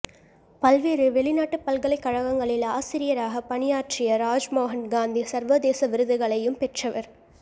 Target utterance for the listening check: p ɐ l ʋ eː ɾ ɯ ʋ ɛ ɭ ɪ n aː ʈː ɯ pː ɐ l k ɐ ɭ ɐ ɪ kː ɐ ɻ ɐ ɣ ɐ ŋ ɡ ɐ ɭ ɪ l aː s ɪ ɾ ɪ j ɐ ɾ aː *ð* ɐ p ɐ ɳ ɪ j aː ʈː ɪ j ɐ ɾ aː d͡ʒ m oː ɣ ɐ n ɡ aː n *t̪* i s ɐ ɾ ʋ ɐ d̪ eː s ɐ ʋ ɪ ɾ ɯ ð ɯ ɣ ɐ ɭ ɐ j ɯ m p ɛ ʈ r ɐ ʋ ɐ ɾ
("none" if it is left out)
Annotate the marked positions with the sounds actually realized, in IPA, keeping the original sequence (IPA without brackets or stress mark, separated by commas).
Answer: ɣ, d̪